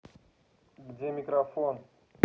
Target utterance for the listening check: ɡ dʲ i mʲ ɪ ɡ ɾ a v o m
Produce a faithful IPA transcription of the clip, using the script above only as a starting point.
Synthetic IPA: ɡ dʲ e mʲ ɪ k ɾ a f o n